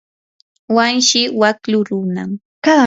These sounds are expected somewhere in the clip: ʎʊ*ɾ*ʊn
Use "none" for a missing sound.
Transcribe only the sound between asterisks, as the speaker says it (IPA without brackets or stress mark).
ɾ